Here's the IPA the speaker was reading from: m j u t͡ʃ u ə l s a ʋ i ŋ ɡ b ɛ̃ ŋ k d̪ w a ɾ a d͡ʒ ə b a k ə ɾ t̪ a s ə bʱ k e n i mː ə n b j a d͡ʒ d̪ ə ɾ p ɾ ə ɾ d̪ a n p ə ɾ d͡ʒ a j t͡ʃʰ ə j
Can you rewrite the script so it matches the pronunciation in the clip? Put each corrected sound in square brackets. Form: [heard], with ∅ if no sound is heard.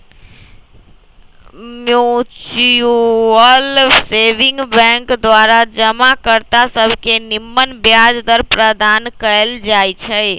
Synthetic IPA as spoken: m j u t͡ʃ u ə l s [e] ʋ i ŋ ɡ b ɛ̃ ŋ k d̪ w a ɾ a d͡ʒ ə [m] a k ə ɾ t̪ a s ə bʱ k e n i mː ə n b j a d͡ʒ d̪ ə ɾ p ɾ ə [∅] d̪ a n [k] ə [l] d͡ʒ a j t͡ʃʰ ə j

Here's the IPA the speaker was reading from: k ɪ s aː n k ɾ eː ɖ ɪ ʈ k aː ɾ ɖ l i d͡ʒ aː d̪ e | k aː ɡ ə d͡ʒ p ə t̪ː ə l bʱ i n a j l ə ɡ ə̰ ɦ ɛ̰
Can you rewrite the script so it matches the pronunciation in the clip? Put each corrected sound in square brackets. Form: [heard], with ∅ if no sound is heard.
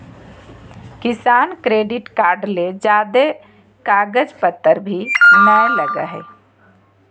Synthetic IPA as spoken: k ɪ s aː n k ɾ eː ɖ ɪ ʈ k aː ɾ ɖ l [e] d͡ʒ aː d̪ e | k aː ɡ ə d͡ʒ p ə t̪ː ə [ɾ] bʱ i n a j l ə ɡ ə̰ ɦ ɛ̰

